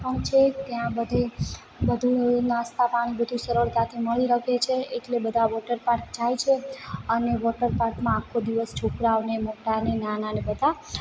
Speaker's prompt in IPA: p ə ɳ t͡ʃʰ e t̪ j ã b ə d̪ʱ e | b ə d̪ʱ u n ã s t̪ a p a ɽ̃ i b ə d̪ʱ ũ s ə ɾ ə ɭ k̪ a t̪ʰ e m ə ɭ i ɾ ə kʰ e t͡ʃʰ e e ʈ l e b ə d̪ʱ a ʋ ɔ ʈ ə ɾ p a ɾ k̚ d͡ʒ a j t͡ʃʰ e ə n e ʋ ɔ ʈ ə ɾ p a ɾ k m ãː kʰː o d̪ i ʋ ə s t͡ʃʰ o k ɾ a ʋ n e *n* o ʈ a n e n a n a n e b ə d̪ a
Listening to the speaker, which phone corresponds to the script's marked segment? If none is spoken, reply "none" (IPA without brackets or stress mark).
m